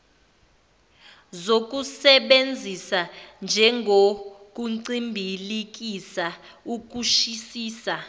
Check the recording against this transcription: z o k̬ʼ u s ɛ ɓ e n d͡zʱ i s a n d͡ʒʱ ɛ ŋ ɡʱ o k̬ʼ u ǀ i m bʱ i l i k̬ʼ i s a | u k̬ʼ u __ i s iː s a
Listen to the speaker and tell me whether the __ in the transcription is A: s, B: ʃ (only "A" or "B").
B